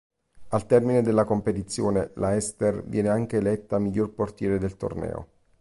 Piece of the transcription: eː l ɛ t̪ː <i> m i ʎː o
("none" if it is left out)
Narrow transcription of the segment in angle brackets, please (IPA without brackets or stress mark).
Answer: a